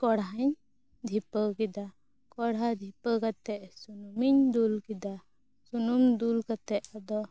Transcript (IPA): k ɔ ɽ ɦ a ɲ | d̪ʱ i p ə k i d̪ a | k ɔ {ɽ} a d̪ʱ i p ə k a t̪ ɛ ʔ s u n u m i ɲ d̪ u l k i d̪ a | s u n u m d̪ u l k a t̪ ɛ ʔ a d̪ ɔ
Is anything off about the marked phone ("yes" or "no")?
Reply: no